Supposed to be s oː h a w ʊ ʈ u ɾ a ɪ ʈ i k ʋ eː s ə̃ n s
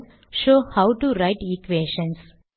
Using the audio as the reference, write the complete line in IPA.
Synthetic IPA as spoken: ʃ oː h a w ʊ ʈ u ɾ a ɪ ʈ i k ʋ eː ʃ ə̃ n s